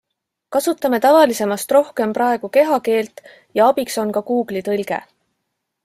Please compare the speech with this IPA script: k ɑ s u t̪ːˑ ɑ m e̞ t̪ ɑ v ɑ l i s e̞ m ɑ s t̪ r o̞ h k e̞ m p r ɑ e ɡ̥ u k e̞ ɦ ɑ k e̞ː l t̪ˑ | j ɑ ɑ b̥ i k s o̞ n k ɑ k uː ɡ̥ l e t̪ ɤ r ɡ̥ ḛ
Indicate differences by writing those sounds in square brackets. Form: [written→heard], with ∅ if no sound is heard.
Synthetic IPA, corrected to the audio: k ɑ s u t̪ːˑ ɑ m e̞ t̪ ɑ v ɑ l i s e̞ m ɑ s t̪ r o̞ h k e̞ m p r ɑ e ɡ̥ u k e̞ ɦ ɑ k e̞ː l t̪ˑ | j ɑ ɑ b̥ i k s o̞ n k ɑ k uː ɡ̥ l [e→i] t̪ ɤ [r→l] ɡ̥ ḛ

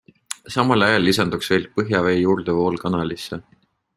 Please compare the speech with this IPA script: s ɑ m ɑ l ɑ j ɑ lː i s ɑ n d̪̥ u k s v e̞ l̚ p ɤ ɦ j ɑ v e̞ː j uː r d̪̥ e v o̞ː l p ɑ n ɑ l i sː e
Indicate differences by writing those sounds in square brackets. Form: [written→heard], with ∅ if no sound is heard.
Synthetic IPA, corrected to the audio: s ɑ m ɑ l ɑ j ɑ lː i s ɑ n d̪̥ u k s v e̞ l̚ p ɤ ɦ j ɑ v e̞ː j uː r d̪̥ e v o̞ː l [p→k] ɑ n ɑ l i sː e

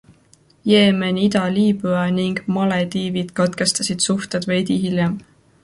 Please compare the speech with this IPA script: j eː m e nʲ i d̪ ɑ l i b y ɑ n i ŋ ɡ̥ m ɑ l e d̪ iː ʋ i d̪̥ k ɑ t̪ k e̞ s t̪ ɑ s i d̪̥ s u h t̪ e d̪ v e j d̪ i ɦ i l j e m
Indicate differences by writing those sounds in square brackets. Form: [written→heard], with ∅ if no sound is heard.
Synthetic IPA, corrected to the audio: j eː m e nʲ i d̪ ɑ l [i→iː] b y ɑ n i ŋ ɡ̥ m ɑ l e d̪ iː [ʋ→v] i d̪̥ k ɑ t̪ k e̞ s t̪ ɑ s i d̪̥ s u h t̪ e d̪ v e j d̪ i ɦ i l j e m

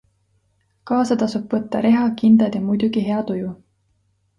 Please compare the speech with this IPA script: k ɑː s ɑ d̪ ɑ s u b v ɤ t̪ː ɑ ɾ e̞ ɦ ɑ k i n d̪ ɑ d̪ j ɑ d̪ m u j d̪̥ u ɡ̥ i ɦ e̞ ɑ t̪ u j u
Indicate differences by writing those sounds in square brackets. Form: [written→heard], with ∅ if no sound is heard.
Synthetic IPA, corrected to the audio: k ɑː s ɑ [d̪→t̪] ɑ s u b v ɤ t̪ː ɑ ɾ e̞ ɦ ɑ k i n d̪ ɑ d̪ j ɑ [d̪→∅] m u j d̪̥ u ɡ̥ i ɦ e̞ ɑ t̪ u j u

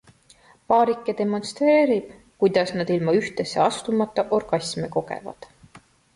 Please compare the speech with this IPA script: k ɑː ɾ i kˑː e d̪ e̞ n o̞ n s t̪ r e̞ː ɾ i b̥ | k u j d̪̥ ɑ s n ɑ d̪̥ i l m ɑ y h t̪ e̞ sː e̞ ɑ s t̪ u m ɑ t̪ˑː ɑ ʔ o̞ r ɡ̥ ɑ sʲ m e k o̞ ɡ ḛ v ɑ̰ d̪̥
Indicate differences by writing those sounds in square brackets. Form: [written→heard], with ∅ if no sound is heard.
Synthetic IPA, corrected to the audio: [k→p] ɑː ɾ i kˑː e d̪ e̞ [n→m] o̞ n s t̪ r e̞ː ɾ i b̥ | k u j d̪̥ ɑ s n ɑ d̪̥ i l m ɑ y h t̪ e̞ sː e̞ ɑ s t̪ u m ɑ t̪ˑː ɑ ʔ o̞ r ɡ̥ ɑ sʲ m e k o̞ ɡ ḛ v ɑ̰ d̪̥

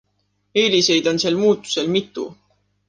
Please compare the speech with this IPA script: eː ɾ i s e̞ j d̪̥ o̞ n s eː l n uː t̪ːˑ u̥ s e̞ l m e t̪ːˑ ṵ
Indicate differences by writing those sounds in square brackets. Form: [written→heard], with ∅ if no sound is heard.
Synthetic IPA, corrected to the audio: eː [ɾ→l] i s e̞ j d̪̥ o̞ n s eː l [n→m] uː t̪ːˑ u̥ s e̞ l m [e→i] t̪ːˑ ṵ

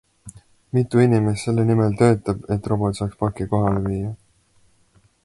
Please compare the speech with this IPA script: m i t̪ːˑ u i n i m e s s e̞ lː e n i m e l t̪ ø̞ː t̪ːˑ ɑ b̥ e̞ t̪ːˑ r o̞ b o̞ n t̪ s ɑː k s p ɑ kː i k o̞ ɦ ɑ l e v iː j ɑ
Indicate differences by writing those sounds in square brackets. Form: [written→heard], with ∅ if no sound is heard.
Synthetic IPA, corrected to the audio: m i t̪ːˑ u i n i m e s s e̞ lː e n i m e l t̪ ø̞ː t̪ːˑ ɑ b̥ e̞ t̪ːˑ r o̞ b o̞ [n→∅] t̪ s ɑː k s p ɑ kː i k o̞ ɦ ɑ l e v iː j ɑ

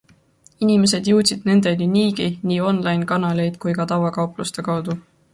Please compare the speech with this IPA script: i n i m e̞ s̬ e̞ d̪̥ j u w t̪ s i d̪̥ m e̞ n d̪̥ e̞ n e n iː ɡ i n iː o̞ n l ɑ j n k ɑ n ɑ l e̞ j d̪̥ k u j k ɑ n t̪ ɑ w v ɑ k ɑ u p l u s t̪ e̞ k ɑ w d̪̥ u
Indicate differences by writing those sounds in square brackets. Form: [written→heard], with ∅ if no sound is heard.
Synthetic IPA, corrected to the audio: i n i m e̞ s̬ e̞ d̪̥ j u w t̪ s i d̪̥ [m→n] e̞ n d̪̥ e̞ n [e→i] n iː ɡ i n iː o̞ n l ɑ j n k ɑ n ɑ l e̞ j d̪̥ k u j k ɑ [n→∅] t̪ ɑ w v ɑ k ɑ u p l u s t̪ e̞ k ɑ w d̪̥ u

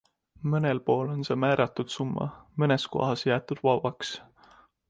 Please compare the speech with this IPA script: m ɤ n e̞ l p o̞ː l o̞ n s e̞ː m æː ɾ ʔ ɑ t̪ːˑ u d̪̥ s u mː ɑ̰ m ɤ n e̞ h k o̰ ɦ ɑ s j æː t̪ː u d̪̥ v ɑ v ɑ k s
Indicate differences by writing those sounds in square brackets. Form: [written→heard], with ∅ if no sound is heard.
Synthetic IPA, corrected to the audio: m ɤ n e̞ l p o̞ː l o̞ n s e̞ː m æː ɾ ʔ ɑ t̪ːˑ u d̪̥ s u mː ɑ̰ m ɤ n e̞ [h→s] k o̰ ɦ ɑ s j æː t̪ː u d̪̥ v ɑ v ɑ k s

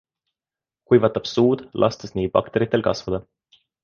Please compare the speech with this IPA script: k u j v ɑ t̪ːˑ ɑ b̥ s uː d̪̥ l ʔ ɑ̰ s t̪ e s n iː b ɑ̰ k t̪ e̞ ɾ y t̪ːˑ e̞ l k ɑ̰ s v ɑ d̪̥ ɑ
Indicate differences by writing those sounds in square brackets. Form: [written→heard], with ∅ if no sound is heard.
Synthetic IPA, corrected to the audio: k u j v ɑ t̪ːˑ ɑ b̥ s uː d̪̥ l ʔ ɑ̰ s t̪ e s n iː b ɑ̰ k t̪ e̞ ɾ [y→i] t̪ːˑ e̞ l k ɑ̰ s v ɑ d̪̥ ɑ

